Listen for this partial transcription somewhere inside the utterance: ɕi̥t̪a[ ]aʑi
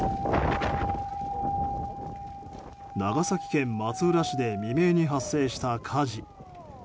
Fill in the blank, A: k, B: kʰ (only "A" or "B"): B